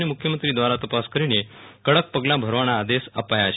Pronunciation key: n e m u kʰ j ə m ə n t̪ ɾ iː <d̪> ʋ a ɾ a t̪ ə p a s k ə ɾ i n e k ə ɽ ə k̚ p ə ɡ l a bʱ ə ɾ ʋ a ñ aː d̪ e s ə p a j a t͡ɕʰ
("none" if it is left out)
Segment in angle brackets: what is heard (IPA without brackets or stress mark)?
d̪